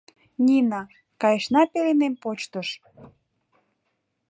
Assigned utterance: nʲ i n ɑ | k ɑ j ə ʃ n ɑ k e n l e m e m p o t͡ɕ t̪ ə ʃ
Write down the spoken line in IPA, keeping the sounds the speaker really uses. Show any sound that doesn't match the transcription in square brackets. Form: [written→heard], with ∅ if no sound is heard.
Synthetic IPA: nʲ i n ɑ | k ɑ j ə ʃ n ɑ [k→p] e [n→∅] l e [m→n] e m p o t͡ɕ t̪ ə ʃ